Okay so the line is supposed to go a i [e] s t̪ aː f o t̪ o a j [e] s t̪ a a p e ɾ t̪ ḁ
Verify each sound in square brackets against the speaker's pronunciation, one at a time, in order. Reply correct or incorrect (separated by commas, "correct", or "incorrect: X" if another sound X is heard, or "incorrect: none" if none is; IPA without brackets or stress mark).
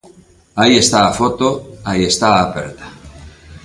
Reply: correct, correct